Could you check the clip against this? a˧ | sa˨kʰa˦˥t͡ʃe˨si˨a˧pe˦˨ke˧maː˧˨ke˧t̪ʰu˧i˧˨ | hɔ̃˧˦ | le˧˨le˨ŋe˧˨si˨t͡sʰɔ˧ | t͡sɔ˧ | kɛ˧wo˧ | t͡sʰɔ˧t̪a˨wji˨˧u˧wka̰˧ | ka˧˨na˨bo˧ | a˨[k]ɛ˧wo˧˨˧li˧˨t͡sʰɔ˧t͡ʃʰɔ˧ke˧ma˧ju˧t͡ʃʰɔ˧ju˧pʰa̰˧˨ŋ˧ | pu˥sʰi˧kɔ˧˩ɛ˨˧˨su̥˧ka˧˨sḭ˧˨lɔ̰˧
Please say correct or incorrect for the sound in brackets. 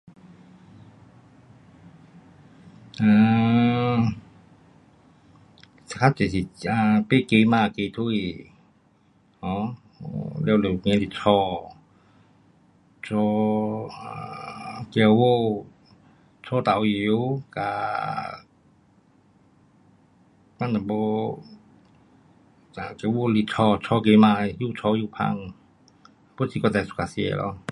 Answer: correct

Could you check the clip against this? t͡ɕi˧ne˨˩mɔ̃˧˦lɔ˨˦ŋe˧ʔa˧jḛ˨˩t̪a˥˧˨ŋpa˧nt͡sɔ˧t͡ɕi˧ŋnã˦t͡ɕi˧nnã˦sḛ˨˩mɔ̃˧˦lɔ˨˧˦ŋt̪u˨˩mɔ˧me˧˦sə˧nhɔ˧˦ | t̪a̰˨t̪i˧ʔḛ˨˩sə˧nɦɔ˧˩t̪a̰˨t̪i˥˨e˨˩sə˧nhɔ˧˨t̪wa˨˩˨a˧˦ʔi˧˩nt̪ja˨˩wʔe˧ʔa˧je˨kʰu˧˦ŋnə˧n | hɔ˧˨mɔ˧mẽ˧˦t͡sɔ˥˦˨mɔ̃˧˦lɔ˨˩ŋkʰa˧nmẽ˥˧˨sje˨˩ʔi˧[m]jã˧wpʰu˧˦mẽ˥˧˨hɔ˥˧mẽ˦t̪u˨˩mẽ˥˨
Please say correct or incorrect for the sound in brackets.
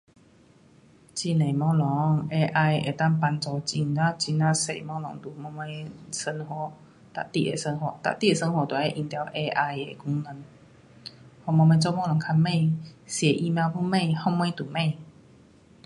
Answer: correct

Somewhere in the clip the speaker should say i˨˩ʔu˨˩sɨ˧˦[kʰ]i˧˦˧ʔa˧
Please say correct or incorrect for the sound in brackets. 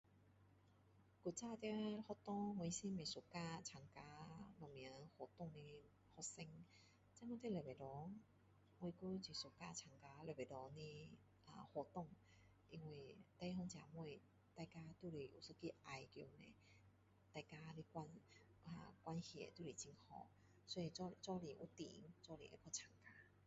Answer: incorrect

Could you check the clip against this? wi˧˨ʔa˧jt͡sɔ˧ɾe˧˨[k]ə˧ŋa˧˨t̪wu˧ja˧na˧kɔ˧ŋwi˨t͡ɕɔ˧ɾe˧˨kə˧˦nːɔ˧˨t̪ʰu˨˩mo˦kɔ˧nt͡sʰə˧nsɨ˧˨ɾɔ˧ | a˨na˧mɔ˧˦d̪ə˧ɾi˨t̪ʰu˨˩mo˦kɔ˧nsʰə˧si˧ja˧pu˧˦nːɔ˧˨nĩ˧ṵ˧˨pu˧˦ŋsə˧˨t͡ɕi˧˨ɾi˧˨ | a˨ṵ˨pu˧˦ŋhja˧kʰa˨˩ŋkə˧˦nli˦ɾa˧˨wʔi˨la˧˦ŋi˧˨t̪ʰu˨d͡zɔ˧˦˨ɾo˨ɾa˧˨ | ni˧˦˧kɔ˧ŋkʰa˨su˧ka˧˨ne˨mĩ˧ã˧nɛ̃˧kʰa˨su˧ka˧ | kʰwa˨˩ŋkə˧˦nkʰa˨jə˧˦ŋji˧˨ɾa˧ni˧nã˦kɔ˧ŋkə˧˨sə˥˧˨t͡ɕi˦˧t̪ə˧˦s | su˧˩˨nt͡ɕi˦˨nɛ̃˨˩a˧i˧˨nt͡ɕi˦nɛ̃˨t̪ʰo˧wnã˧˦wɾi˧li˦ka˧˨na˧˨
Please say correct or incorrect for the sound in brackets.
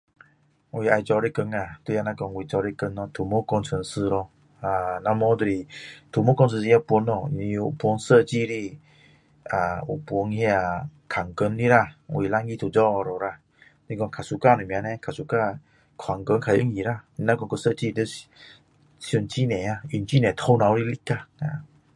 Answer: correct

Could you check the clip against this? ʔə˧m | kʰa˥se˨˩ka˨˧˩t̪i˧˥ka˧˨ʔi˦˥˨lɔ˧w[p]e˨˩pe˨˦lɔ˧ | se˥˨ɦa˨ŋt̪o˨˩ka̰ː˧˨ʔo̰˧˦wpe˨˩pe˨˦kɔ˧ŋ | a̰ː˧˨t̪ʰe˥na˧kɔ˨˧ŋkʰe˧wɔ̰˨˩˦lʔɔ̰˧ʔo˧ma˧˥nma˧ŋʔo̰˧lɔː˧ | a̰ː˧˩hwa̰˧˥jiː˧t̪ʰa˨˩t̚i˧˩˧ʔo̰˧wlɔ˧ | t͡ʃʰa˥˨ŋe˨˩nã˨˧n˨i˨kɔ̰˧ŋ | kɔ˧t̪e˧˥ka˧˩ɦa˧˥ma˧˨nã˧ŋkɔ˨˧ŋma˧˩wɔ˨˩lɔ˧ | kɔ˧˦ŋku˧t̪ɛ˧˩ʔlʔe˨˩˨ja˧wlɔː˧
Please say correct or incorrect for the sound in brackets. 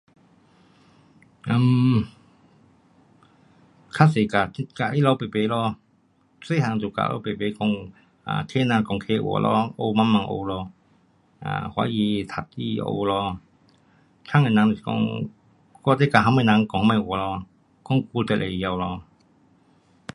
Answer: correct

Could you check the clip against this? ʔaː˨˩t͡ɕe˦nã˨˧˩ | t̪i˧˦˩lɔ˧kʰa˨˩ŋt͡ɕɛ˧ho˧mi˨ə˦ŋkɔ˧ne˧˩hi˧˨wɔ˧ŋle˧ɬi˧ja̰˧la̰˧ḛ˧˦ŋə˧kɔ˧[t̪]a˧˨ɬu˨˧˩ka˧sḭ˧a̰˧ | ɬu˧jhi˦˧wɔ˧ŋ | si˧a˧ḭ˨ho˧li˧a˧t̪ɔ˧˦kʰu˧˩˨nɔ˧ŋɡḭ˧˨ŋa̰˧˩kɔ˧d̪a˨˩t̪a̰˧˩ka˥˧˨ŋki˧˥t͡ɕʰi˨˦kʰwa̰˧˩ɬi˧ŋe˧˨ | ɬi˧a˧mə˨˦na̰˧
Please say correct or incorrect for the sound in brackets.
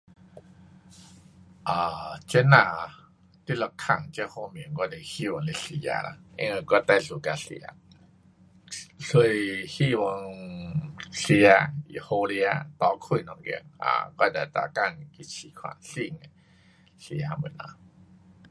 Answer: correct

